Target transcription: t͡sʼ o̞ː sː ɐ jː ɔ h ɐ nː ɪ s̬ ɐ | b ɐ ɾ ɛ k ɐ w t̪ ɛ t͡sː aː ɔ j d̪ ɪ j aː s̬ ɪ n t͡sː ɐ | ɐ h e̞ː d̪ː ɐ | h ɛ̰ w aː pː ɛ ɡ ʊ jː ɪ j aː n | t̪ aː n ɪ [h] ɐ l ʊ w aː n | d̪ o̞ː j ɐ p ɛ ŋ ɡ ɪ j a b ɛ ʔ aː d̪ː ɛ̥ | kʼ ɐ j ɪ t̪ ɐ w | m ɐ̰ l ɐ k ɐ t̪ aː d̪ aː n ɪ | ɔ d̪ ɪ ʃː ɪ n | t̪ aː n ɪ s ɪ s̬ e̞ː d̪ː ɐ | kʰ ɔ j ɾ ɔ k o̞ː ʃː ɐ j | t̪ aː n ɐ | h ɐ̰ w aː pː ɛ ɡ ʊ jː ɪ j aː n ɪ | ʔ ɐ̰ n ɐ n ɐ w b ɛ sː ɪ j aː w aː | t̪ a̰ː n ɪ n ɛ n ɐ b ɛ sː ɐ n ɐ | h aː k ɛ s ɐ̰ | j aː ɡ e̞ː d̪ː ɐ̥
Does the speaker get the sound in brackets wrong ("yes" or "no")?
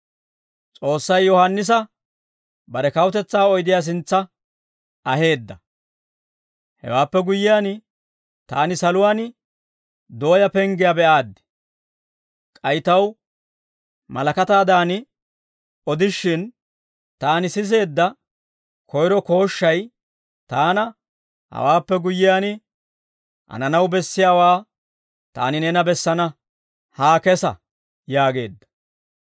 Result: yes